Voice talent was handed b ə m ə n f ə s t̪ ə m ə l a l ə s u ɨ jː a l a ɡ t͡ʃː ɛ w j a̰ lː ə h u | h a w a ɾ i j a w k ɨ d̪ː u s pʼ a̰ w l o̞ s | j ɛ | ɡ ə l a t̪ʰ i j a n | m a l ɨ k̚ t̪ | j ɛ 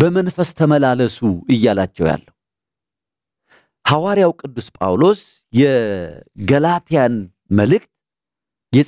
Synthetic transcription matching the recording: b ə m ə n f ə s t̪ʰ ə m ə l a l ə s u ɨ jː a l a t͡ʃː ɛ w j a̰ lː ə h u | h a w a ɾ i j a w kʼ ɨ d̪ː u s pʼ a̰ w l o̞ s | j ɛ | ɡ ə l a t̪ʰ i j a n | m ə l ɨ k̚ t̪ | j ɛ